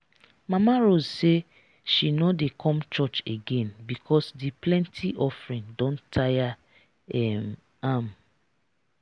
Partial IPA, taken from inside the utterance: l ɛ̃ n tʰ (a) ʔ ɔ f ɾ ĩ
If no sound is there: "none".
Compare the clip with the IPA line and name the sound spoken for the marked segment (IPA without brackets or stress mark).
i